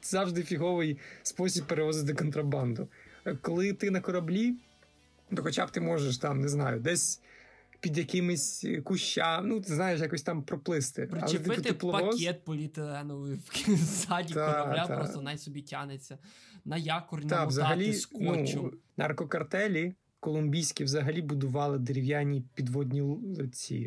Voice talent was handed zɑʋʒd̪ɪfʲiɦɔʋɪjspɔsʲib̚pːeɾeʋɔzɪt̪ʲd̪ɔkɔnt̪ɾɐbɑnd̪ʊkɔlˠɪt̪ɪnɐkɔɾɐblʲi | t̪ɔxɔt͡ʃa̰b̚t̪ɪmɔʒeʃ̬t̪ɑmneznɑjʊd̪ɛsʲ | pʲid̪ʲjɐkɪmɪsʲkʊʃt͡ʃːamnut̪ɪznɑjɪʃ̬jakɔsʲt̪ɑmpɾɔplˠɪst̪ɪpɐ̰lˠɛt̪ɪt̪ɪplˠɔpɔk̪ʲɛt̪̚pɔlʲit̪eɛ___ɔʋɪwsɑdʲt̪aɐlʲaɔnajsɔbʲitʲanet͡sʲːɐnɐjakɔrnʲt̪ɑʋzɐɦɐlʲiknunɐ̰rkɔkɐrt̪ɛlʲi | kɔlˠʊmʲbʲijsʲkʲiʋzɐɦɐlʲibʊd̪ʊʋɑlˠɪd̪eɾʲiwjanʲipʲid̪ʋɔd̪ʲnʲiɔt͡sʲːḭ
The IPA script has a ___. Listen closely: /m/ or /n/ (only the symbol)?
n